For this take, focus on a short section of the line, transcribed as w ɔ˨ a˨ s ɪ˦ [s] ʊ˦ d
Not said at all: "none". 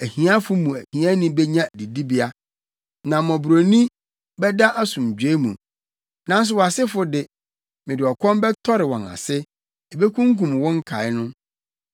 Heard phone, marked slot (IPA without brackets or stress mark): f